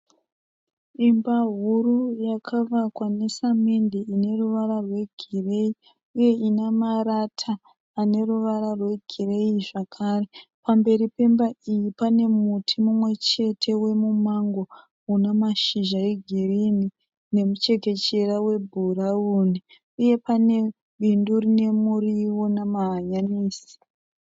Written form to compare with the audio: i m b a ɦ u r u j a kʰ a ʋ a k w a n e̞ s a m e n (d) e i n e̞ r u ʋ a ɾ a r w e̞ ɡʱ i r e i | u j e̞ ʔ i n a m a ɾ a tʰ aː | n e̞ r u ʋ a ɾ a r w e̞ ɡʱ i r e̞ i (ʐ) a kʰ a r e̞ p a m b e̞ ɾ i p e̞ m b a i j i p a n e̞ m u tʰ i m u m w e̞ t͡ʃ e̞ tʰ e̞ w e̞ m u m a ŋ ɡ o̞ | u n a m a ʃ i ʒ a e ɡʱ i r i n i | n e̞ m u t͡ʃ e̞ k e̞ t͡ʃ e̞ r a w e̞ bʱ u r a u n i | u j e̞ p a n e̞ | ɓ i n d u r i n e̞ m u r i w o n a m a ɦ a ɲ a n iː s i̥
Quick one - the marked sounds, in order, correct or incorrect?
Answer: correct, correct

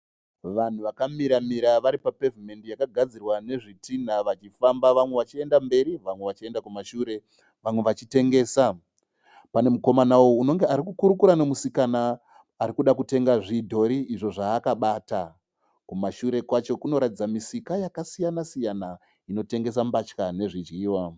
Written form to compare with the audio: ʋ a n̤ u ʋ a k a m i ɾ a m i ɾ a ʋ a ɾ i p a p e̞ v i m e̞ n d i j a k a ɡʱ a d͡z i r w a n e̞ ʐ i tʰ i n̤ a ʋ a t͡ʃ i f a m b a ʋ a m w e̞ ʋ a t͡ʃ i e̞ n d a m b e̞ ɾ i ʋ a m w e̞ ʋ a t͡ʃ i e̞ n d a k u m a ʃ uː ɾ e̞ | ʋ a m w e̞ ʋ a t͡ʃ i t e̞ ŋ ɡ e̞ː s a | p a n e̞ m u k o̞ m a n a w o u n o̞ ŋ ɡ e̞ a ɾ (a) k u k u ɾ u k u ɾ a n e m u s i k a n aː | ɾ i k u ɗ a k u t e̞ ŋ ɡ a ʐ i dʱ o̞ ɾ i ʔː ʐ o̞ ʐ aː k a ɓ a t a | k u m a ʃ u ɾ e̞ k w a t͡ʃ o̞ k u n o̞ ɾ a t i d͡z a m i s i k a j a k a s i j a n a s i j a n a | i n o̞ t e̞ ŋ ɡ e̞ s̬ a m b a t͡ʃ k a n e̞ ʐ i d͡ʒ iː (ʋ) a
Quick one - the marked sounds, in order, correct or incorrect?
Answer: incorrect: i, incorrect: w

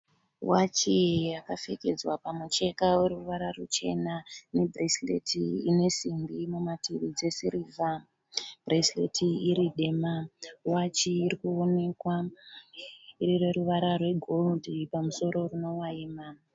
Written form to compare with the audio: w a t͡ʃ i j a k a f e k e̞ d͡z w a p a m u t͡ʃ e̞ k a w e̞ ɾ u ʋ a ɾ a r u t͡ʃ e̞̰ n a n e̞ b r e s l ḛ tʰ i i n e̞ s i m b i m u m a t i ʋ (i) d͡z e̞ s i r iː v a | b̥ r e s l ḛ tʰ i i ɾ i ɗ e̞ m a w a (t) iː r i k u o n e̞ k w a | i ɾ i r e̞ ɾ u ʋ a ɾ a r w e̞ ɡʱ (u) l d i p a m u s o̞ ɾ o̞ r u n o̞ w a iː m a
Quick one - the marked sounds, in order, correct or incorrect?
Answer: correct, incorrect: t͡ʃ, incorrect: o

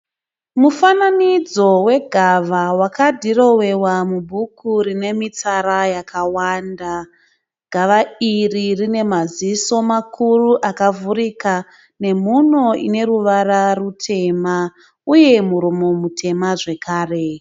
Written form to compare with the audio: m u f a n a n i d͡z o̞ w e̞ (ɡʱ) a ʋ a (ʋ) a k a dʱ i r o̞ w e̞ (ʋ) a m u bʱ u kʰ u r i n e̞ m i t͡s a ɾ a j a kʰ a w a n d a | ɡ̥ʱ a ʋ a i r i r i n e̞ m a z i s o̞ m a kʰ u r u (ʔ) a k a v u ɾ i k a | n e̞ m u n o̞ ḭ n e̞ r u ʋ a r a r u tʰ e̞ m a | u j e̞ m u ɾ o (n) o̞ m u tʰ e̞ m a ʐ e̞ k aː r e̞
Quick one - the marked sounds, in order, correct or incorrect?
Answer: correct, incorrect: w, incorrect: w, correct, incorrect: m

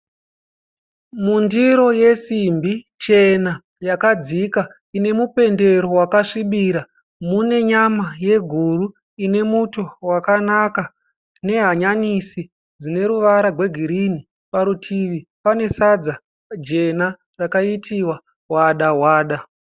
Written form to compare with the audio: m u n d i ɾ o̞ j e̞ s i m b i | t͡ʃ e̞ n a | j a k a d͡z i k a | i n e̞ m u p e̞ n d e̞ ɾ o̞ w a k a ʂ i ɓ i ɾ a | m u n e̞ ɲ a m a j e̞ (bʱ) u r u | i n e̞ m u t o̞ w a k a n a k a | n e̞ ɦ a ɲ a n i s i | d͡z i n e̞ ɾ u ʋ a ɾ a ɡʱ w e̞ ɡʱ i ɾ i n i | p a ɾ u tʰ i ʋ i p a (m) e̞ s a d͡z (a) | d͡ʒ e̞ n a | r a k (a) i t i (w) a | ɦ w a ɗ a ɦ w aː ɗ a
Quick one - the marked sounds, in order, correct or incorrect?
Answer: incorrect: ɡʱ, incorrect: n, correct, correct, correct

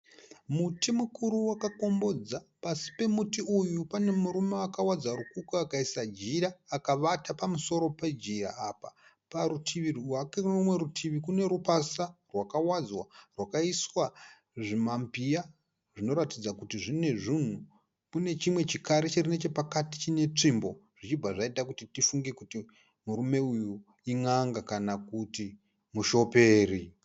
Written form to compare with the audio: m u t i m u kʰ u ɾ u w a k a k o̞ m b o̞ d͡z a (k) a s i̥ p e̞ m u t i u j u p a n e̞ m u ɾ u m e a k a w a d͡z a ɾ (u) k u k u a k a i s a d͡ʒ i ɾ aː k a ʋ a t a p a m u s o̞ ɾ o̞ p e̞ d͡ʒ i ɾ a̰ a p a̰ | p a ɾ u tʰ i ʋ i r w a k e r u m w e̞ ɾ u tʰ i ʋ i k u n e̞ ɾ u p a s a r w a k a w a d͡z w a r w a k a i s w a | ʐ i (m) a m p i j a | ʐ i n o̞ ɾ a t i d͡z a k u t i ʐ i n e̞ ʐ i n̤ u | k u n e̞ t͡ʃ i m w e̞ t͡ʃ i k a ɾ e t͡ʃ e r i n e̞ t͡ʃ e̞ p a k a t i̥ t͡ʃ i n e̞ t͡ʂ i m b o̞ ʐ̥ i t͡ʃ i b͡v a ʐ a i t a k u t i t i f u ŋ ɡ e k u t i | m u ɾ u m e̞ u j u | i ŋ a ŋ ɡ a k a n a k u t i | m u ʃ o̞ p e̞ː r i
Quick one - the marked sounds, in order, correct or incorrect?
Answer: incorrect: p, correct, correct

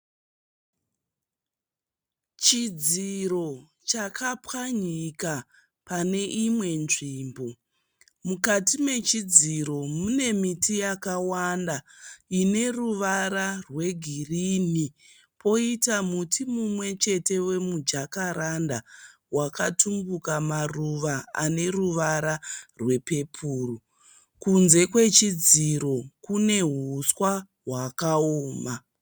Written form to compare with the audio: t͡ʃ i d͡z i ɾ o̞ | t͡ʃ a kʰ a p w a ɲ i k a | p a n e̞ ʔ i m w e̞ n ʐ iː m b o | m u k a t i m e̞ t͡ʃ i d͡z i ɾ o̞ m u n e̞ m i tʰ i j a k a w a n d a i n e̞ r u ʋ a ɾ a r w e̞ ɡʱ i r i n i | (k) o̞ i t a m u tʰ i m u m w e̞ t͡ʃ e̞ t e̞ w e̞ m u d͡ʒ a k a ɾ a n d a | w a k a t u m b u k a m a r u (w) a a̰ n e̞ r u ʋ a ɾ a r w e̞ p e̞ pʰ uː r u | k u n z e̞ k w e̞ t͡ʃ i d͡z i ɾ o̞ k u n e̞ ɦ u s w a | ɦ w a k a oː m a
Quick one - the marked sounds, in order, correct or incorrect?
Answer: incorrect: p, incorrect: ʋ

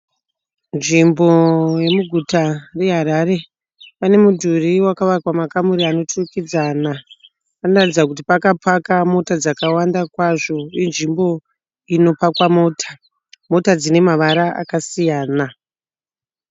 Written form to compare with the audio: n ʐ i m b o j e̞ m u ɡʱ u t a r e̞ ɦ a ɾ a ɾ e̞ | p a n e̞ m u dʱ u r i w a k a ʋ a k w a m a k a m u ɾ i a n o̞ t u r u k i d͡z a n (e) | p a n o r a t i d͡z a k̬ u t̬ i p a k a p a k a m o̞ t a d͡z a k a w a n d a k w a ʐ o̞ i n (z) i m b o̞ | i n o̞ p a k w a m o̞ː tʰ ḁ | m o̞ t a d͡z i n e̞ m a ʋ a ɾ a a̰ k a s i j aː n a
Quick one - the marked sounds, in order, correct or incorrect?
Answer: incorrect: a, incorrect: ʐ

